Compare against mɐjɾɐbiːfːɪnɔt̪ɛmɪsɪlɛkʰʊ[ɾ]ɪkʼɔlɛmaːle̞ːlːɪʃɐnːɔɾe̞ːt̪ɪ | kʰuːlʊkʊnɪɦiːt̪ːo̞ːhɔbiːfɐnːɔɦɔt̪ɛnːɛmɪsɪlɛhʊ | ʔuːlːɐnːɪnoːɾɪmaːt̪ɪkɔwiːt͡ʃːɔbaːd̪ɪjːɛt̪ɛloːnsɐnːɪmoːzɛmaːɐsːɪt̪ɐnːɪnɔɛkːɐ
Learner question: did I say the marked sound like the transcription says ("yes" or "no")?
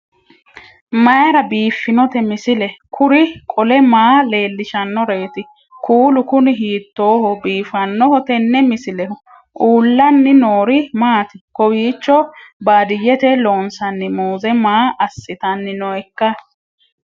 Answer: yes